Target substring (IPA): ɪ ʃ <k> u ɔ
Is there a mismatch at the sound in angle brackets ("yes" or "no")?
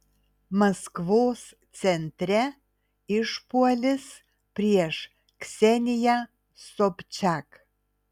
yes